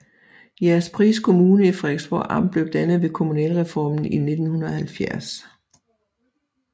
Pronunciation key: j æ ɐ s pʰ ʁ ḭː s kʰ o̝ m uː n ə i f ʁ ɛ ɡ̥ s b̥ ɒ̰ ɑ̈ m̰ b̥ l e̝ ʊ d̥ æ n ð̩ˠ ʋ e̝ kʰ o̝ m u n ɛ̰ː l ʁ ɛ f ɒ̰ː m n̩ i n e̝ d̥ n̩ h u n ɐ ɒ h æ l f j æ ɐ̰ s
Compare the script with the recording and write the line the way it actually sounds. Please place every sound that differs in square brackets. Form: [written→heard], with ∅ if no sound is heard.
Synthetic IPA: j æ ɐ s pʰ ʁ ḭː s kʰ o̝ m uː n ə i f ʁ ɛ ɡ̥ s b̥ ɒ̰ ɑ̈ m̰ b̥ l e̝ ʊ d̥ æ n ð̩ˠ ʋ e̝ kʰ o̝ m u n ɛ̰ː l ʁ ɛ f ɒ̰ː m n̩ i n e̝ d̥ n̩ h u n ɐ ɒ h æ l f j æ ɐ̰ s

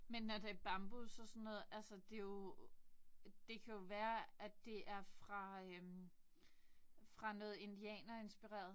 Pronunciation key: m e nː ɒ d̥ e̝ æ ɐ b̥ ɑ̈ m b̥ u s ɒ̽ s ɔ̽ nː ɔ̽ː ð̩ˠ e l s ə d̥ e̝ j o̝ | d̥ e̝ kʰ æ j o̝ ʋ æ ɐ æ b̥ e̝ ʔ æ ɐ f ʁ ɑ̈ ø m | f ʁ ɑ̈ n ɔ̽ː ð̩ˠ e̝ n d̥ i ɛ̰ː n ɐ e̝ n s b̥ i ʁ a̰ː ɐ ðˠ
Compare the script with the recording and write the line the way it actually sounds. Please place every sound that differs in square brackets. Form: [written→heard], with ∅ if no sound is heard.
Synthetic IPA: m e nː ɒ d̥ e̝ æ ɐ b̥ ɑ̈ m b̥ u s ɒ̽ s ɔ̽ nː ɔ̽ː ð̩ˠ [e→æ] l s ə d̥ e̝ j o̝ | d̥ e̝ kʰ æ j o̝ ʋ [æ→æː] ɐ æ [b̥→d̥] e̝ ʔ æ ɐ f ʁ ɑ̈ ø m | f ʁ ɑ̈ n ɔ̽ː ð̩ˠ e̝ n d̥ i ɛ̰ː n ɐ e̝ n s b̥ i ʁ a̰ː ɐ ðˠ

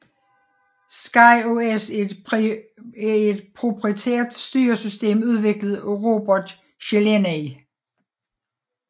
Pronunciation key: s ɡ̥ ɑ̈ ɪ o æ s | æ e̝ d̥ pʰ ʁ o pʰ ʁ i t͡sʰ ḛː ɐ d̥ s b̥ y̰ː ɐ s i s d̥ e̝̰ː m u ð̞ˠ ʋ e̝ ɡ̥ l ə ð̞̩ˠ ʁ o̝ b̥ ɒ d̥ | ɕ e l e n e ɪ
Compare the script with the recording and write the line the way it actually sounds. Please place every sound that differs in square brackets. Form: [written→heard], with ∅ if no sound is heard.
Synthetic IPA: s ɡ̥ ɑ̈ ɪ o [æ→e] s | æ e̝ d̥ pʰ ʁ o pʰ ʁ i t͡sʰ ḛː ɐ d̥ s [b̥→d̥] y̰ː ɐ s [i→y] s d̥ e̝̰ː m u ð̞ˠ ʋ e̝ ɡ̥ l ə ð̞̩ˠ ʁ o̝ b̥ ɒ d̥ | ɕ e l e n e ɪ

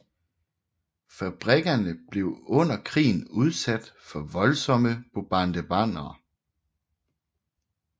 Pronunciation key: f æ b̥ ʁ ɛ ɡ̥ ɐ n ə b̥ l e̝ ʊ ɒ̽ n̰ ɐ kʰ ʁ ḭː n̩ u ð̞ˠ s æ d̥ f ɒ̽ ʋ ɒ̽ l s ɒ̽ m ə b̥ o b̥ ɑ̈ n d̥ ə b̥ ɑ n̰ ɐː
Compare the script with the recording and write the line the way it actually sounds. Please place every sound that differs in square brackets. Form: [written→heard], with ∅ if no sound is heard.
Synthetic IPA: f æ b̥ ʁ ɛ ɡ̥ ɐ n ə b̥ l e̝ ʊ [ɒ̽→ɔ̽] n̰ ɐ kʰ ʁ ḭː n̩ u ð̞ˠ s æ d̥ f ɒ̽ ʋ ɒ̽ l s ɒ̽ m ə b̥ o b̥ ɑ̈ n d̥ ə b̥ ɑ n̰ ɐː

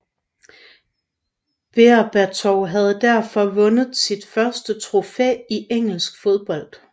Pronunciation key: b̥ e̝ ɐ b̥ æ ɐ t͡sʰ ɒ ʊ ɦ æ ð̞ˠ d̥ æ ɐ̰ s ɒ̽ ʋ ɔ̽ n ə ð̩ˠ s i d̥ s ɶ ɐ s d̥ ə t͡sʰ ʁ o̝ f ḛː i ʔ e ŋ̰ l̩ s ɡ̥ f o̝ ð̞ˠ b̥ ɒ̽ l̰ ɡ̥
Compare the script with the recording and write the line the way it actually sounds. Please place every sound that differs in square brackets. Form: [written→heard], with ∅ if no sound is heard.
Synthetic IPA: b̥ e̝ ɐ b̥ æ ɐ t͡sʰ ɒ ʊ ɦ æ ð̞ˠ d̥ æ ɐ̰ [s→f] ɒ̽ ʋ ɔ̽ n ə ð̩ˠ s i d̥ [s→f] ɶ ɐ s d̥ ə t͡sʰ ʁ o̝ f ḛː i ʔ e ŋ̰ l̩ s ɡ̥ f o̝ ð̞ˠ b̥ ɒ̽ l̰ [ɡ̥→d̥]

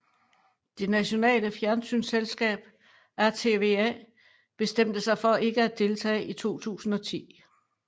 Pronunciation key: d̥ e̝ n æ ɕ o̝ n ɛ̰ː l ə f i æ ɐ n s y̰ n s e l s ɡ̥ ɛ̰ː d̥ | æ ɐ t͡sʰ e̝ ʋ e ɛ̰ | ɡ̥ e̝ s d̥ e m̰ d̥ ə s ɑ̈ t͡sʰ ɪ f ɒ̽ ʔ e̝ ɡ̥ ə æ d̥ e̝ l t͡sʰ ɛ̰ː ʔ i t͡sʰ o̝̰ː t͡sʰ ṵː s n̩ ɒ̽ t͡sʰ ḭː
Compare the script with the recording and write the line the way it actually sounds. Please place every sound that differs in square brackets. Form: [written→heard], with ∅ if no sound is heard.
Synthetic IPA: d̥ e̝ n æ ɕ o̝ n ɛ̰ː l ə f [i→j] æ ɐ n s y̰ n s e l s ɡ̥ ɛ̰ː [d̥→b̥] | æ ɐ t͡sʰ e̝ ʋ e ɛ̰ | [ɡ̥→b̥] e̝ s d̥ e m̰ d̥ ə s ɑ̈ [t͡sʰ→∅] ɪ f ɒ̽ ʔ e̝ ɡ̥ ə æ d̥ e̝ l t͡sʰ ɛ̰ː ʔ i t͡sʰ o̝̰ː t͡sʰ ṵː s n̩ ɒ̽ t͡sʰ ḭː

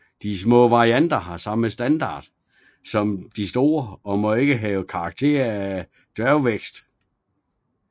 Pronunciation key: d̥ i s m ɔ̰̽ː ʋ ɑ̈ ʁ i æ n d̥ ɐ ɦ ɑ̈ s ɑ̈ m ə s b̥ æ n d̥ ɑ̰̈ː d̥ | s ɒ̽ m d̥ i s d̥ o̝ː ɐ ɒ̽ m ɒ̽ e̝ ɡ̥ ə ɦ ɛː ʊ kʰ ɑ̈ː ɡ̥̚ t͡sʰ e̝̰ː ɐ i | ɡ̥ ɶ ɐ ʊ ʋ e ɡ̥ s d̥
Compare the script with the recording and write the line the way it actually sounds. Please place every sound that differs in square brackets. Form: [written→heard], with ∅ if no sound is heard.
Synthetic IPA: d̥ i s m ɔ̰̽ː ʋ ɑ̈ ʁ i æ n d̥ ɐ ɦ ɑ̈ s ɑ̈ m ə s [b̥→d̥] æ n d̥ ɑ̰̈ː d̥ | s ɒ̽ m d̥ i s d̥ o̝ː ɐ ɒ̽ m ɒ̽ e̝ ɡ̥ ə ɦ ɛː ʊ kʰ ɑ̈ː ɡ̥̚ t͡sʰ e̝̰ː ɐ [i→æ] | [ɡ̥→d̥] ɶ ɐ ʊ ʋ e ɡ̥ s d̥

